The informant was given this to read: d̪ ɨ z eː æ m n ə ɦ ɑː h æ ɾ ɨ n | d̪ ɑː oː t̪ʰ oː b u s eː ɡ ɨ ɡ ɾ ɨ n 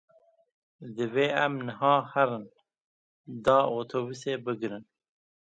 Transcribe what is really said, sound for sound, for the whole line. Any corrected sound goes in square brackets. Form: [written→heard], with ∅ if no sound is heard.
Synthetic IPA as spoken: d̪ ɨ [z→v] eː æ m n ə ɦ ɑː h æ ɾ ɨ n | d̪ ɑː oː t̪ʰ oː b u s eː [ɡ→b] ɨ ɡ ɾ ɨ n